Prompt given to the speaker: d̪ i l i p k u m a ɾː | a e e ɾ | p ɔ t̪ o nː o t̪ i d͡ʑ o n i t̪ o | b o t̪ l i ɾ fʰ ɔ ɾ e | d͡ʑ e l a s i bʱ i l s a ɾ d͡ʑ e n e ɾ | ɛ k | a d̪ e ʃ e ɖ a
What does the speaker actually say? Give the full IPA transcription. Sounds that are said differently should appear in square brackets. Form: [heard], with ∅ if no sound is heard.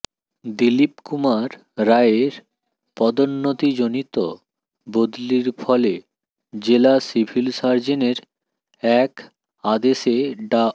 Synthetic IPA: d̪ i l i p k u m a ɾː | a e e ɾ | p ɔ [d̪] o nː o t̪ i d͡ʑ o n i t̪ o | b o [d̪] l i ɾ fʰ ɔ [l] e | d͡ʑ e l a s i bʱ i l s a ɾ d͡ʑ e n e ɾ | ɛ k | a d̪ e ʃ e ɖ a